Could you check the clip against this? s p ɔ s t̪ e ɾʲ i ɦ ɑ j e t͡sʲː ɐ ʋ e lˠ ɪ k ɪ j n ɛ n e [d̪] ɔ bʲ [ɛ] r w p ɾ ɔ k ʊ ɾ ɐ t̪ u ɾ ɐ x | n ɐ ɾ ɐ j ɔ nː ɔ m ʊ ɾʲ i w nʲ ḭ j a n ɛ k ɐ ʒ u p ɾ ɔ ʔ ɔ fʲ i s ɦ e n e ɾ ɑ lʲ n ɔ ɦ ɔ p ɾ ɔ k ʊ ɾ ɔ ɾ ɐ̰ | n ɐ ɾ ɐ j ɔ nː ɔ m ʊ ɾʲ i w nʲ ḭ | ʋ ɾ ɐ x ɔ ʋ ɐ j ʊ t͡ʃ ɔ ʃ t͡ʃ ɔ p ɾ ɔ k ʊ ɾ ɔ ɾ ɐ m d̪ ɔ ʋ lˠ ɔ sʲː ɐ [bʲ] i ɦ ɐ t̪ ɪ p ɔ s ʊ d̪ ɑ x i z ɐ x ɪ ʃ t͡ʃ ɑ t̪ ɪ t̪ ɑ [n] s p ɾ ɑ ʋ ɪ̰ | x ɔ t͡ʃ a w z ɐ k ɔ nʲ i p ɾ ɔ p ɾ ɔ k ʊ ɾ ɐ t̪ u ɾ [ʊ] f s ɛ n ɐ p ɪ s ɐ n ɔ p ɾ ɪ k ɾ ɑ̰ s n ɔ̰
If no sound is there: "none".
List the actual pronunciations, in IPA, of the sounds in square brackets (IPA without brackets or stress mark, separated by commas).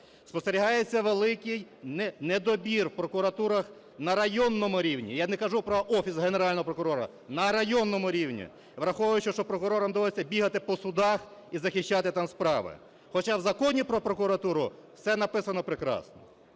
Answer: d̪, i, bʲ, m, ʊ